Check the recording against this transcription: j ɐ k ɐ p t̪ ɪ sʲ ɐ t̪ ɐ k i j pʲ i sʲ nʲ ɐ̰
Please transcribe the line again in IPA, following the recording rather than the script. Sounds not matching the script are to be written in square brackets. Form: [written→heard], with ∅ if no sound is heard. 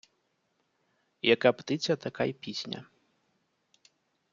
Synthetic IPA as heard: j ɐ k [ɐ→a] p t̪ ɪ [sʲ→t͡sʲ] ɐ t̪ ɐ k [i→a] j pʲ i sʲ nʲ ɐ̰